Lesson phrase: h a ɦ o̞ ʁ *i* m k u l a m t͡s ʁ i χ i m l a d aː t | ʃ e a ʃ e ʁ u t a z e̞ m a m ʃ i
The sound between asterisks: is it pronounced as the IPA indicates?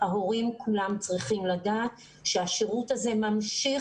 yes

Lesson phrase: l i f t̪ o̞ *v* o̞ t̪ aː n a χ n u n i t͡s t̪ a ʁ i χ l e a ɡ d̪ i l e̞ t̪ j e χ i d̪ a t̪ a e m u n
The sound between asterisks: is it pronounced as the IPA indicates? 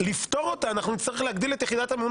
no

